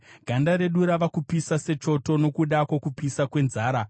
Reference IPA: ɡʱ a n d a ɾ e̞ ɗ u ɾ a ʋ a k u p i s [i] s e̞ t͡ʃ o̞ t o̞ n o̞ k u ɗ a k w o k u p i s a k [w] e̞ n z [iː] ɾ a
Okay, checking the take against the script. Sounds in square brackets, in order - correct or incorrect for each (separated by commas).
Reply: incorrect, correct, incorrect